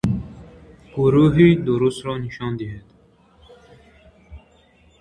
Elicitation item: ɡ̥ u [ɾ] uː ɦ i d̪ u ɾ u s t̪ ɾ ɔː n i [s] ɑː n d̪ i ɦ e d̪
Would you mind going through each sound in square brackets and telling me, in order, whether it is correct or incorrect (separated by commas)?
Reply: correct, incorrect